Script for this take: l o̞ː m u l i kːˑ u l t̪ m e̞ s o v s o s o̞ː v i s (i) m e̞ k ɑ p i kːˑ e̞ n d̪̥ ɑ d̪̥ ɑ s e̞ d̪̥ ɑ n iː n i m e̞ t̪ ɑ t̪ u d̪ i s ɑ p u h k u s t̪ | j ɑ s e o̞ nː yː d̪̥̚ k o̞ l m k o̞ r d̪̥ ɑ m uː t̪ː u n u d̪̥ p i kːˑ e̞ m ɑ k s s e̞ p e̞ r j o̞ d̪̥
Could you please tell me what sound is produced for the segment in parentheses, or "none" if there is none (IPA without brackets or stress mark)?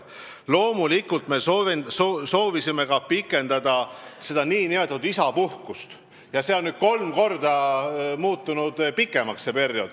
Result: i